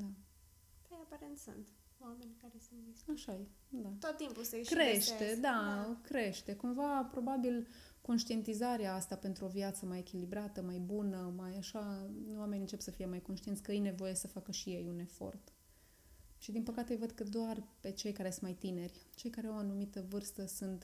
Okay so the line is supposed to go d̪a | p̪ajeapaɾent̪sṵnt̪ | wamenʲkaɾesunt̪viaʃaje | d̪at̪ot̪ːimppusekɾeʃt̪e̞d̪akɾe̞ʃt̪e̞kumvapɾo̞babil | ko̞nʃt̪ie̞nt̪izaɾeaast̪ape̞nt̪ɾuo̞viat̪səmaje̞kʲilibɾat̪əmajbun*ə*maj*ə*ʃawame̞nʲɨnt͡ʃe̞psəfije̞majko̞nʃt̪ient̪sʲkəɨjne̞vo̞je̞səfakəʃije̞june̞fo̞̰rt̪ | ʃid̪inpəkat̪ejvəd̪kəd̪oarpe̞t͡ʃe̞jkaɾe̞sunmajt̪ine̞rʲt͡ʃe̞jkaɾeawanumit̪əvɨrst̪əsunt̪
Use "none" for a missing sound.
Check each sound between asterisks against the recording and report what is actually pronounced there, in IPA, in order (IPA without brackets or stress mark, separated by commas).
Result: ə, a